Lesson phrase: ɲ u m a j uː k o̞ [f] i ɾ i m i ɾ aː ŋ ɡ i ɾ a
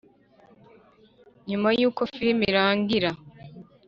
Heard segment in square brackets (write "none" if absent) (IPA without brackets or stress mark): f